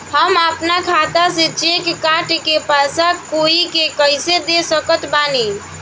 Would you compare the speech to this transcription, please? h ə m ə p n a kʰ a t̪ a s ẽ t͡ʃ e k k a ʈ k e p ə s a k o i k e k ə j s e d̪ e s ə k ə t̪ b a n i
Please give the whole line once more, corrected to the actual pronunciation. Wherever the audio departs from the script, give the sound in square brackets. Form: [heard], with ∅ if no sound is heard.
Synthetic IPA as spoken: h ə m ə p n a kʰ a t̪ a s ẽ t͡ʃ e k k a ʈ k e p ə s a k o i k e k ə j s e d̪ e s ə k ə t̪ b a n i